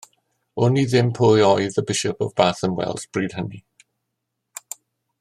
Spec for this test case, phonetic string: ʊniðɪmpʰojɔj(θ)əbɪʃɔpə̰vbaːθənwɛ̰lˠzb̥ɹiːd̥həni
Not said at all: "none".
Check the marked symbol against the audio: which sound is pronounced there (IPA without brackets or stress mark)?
ð